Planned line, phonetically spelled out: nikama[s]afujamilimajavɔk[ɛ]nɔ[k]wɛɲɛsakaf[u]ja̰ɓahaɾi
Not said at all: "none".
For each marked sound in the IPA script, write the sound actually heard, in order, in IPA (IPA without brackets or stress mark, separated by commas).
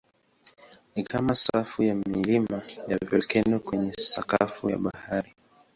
s, ɛ, k, u